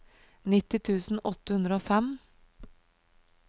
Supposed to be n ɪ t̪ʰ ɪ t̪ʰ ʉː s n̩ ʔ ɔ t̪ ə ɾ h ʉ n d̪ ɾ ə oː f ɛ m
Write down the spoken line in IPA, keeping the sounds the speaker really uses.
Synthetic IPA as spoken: n ɪ t̪ ɪ t̪ʰ ʉː s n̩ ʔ ɔ t̪ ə h ʉ n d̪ ɾ ə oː f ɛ m